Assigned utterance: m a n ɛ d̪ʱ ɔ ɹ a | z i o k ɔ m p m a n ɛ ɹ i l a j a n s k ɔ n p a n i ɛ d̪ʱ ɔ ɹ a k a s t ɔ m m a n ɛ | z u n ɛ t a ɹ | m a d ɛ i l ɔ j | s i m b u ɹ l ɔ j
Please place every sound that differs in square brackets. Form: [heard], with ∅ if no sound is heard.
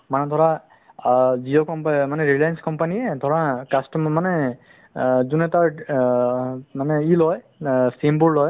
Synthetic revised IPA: m a n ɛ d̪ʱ ɔ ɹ a | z i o k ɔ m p m a n ɛ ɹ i l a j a n s k ɔ [m] p a n i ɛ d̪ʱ ɔ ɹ a k a s t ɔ m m a n ɛ | z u n ɛ t a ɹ | m a [n] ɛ i l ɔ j | s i m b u ɹ l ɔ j